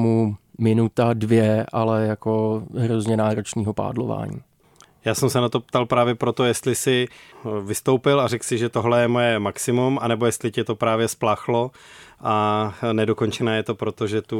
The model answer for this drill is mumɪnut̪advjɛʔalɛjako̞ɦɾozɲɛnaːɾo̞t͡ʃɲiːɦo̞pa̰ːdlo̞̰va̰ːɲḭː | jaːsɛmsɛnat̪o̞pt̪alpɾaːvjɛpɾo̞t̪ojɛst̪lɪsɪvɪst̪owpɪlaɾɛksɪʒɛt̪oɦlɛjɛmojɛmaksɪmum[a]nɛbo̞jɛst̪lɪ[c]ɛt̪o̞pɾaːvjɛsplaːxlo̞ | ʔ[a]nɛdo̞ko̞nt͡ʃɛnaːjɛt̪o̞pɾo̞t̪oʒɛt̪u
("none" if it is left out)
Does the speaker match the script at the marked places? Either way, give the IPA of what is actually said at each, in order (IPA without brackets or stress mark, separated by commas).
a, c, a